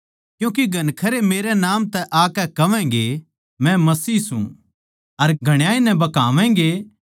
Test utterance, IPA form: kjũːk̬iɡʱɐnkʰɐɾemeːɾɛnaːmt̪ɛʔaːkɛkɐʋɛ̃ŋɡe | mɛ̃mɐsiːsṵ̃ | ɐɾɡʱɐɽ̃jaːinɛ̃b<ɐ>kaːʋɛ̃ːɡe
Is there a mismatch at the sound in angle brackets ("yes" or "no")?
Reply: no